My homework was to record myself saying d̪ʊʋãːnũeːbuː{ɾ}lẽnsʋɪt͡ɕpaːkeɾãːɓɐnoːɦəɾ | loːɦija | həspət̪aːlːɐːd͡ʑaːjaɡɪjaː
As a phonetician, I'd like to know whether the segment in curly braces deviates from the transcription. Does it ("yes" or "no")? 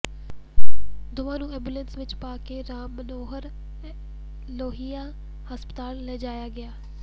yes